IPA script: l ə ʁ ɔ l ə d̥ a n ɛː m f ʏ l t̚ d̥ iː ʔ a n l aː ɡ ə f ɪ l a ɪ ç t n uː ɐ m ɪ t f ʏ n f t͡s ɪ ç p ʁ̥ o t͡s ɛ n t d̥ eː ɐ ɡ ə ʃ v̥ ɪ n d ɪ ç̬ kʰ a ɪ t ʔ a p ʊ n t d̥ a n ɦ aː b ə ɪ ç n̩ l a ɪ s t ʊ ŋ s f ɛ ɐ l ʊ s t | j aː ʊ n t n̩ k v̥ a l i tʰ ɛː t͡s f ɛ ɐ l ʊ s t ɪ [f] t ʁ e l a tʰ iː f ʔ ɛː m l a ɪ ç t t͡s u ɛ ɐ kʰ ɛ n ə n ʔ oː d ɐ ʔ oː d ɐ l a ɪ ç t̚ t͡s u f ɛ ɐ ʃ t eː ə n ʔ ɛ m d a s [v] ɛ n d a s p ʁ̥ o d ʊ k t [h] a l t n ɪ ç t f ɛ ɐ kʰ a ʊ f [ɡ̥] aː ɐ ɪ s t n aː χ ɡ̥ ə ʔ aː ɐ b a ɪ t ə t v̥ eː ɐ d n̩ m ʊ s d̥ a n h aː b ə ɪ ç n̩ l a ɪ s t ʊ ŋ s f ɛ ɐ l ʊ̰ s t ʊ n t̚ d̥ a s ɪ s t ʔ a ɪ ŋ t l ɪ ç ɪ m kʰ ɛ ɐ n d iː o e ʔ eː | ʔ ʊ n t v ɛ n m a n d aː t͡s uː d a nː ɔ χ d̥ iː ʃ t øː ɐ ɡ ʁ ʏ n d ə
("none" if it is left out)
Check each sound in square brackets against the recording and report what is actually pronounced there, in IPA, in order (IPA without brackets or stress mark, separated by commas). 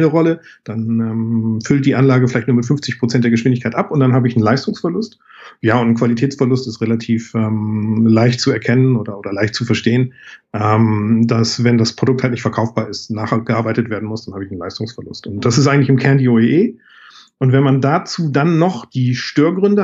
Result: s, v, h, b̥